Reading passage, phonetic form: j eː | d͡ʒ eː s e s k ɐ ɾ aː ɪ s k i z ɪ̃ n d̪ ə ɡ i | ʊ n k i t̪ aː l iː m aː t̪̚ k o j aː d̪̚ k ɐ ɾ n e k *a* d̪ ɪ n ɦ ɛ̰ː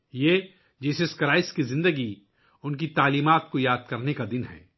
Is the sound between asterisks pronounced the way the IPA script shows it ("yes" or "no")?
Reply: yes